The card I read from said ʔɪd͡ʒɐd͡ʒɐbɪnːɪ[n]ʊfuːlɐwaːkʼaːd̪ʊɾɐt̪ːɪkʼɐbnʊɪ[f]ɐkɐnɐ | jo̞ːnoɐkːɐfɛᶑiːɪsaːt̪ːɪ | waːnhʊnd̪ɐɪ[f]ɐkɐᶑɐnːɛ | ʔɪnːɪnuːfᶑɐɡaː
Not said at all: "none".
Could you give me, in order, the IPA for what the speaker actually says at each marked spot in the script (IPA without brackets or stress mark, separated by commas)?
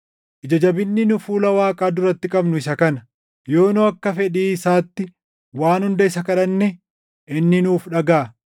n, s, s